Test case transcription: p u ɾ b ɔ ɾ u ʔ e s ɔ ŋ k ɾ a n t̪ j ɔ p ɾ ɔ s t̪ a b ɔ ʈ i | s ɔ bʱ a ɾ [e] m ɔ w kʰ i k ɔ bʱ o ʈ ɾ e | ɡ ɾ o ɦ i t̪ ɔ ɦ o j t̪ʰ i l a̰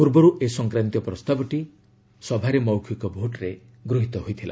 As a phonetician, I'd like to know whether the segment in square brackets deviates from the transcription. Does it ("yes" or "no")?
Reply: no